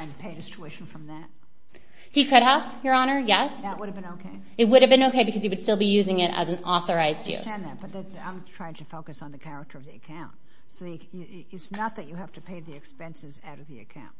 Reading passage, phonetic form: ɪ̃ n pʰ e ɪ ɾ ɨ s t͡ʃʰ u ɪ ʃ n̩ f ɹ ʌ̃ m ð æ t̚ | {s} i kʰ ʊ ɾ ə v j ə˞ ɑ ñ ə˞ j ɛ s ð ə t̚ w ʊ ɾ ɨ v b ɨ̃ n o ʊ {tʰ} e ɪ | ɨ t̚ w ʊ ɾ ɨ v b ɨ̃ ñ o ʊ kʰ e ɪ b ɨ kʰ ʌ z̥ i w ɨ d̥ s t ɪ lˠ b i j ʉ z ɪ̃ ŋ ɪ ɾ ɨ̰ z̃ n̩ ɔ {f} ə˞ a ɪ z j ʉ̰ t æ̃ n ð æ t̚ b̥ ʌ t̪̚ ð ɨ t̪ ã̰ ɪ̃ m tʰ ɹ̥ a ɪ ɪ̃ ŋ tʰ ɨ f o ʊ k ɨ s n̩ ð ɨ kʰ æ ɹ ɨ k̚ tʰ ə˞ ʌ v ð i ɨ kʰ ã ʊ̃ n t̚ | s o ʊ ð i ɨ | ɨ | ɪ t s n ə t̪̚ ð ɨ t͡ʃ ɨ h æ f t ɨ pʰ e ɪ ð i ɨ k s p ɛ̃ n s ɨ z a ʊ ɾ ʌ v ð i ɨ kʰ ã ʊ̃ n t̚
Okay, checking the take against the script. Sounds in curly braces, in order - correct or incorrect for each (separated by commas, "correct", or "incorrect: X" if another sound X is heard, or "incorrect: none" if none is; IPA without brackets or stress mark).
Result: incorrect: h, incorrect: kʰ, incorrect: θ